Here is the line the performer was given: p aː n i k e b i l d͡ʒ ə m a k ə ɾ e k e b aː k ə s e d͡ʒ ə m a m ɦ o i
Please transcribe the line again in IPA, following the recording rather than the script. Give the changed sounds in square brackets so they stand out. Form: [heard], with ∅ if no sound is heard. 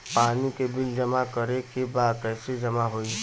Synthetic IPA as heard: p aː n i k e b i l d͡ʒ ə m a k ə ɾ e k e b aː k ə s e d͡ʒ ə m a [∅] ɦ o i